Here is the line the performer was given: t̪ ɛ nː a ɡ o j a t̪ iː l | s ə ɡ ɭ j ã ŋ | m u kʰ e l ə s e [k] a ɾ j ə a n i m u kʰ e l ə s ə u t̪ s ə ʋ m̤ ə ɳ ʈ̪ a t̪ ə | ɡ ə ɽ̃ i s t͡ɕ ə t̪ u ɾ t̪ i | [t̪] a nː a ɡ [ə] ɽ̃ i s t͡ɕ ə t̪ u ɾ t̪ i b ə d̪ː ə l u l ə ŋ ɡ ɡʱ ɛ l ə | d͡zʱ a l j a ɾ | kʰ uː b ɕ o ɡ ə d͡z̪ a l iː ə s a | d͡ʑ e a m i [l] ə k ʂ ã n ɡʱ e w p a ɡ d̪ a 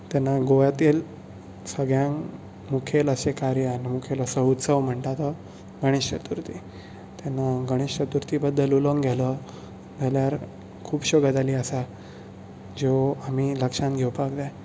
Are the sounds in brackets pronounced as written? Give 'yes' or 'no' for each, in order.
yes, yes, yes, yes

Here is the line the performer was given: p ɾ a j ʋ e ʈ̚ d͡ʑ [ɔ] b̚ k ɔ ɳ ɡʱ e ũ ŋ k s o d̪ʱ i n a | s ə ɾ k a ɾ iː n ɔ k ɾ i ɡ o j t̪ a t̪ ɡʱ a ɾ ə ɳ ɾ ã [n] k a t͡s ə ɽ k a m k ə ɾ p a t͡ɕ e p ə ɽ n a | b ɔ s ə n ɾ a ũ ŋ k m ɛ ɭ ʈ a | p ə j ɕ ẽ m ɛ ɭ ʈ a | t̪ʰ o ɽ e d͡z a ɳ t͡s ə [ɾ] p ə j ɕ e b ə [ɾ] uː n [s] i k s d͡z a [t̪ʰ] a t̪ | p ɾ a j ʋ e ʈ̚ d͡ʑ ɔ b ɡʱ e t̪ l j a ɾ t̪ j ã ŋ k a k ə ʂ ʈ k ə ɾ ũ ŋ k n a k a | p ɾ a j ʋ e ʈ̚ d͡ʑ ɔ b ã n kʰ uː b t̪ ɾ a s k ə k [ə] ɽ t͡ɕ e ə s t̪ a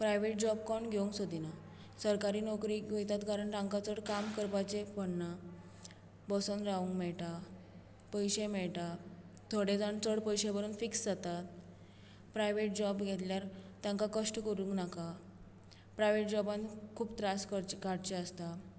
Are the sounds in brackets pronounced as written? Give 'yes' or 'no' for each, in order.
yes, no, no, yes, no, no, no

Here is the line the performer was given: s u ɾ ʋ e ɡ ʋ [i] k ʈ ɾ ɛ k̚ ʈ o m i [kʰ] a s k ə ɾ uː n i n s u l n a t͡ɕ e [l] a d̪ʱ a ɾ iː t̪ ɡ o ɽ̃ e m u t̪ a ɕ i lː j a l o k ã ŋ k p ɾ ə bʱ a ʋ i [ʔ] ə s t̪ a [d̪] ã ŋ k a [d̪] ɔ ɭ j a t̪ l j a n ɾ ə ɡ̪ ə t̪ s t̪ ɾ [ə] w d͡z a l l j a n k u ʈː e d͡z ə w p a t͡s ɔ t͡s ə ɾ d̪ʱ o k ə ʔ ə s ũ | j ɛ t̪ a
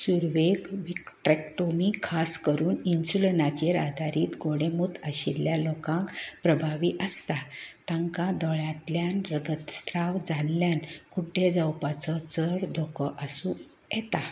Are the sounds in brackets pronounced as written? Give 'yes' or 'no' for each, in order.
yes, yes, no, yes, no, yes, no

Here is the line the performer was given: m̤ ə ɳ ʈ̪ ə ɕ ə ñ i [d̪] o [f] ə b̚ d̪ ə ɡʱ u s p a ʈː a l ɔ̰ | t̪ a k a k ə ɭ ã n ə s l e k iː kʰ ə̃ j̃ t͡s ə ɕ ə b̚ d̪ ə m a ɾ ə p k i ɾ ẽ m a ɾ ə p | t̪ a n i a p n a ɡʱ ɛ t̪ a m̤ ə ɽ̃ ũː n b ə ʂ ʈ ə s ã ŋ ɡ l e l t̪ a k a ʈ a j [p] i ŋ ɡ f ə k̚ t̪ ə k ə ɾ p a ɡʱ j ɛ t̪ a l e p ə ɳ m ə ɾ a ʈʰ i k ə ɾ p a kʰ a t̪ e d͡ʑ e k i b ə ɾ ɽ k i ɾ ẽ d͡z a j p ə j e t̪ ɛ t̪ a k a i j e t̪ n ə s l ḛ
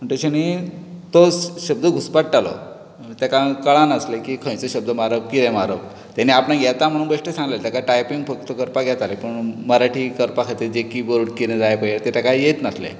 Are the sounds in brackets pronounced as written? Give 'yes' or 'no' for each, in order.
no, no, yes

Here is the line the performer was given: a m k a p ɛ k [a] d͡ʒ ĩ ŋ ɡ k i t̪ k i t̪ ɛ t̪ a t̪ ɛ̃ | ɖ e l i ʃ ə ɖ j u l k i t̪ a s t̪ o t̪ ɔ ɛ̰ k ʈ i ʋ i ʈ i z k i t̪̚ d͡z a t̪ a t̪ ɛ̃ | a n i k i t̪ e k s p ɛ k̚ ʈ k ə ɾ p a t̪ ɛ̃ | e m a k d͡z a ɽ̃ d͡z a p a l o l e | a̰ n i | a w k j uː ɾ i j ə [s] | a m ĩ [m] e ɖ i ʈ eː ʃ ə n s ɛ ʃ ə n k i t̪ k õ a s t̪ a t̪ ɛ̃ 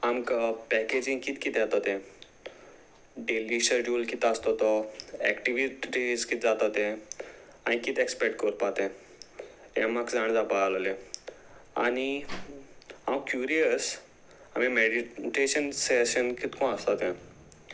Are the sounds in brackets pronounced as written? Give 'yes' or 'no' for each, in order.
no, yes, yes

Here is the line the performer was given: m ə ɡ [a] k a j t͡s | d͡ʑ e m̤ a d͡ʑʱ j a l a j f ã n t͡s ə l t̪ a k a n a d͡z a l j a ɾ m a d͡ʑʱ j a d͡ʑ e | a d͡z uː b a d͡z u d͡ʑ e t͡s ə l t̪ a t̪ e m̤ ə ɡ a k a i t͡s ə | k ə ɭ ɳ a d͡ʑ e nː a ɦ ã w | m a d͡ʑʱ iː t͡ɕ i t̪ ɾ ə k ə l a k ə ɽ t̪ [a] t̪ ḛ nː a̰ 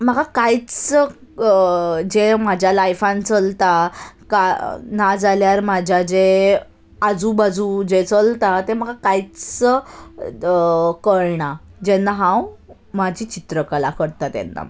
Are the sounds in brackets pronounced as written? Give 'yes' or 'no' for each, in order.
yes, yes

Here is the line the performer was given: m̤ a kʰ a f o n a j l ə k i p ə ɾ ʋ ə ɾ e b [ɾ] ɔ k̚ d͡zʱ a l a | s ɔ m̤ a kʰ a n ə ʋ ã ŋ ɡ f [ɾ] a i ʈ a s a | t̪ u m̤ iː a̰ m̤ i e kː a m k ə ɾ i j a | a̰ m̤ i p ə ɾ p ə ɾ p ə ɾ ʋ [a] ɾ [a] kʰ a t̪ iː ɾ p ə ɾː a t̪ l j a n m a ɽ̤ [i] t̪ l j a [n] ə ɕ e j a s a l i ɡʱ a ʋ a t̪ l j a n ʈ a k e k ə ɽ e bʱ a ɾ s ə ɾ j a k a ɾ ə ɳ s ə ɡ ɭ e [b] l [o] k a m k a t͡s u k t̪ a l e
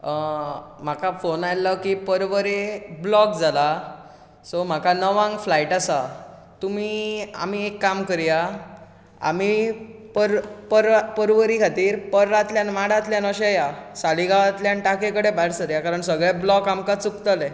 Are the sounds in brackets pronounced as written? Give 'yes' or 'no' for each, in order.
no, no, no, no, no, yes, yes, no

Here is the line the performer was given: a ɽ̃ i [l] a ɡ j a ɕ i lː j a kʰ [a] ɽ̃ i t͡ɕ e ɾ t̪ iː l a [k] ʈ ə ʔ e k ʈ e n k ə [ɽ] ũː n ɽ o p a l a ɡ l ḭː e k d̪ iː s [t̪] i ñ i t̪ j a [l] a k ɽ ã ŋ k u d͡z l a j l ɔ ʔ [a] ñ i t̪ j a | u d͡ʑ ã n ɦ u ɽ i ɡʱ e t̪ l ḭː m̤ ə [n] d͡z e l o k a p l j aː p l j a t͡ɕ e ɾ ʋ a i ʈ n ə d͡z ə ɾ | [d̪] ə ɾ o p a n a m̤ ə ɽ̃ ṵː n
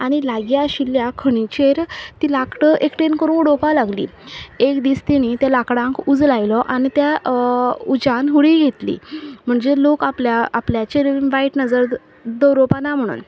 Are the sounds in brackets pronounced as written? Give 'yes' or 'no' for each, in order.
yes, no, yes, no, yes, yes, yes, no, yes

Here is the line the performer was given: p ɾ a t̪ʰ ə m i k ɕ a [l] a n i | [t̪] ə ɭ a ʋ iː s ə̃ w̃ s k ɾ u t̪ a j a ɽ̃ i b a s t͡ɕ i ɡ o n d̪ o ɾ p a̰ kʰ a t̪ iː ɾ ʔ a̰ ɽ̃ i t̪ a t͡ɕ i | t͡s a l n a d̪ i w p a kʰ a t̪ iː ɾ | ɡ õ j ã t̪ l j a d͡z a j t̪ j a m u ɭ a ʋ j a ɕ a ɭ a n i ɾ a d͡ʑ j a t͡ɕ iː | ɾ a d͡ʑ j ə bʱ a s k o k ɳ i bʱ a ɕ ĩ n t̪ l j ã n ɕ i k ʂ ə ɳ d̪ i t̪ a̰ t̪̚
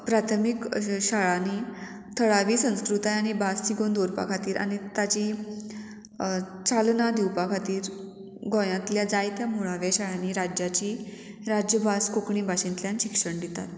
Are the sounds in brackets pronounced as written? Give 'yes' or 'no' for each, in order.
no, no

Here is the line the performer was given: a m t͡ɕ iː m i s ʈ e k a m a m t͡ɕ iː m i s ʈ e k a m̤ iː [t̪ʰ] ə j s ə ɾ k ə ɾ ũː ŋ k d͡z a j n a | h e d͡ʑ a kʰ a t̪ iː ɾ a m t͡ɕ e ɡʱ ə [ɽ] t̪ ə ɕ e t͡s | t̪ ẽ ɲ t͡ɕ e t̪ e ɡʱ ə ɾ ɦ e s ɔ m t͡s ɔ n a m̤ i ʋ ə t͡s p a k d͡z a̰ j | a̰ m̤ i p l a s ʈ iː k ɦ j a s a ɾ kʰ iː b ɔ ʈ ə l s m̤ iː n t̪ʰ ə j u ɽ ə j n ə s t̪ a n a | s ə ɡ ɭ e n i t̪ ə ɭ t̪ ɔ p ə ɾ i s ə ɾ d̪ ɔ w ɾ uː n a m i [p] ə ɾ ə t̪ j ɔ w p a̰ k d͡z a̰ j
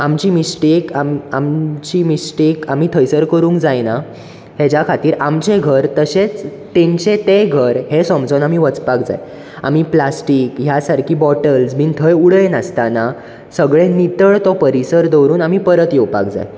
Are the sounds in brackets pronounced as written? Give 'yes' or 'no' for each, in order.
yes, no, yes

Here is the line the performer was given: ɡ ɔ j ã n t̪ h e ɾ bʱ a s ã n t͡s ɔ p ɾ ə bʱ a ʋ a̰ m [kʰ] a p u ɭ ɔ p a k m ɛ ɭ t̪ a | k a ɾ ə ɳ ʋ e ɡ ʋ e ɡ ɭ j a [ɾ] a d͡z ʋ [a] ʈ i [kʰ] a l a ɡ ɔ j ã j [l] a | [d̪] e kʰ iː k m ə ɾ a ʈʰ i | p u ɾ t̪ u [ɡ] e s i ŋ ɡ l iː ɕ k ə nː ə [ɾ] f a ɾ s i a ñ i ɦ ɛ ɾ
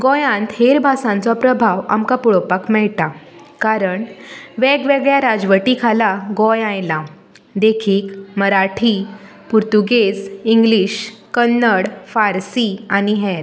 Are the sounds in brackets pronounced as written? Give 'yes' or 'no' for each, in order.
no, yes, no, yes, yes, yes, yes, no

